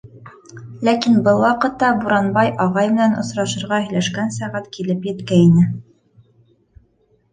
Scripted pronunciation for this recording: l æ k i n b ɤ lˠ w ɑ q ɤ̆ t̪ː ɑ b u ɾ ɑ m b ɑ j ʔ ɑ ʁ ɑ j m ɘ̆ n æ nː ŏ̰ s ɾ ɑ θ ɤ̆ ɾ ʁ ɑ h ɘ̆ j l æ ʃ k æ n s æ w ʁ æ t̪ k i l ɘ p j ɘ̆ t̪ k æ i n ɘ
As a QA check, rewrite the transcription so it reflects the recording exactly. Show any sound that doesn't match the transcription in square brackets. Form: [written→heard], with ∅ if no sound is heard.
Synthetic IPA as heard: l æ k i n b ɤ lˠ w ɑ q ɤ̆ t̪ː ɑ b u ɾ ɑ [m→n] b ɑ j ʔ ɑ ʁ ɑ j m ɘ̆ n æ [nː→n] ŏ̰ s ɾ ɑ [θ→ʃ] ɤ̆ ɾ ʁ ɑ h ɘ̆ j l æ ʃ k æ n s æ [w→∅] ʁ æ t̪ k i l ɘ p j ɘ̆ t̪ k æ i n ɘ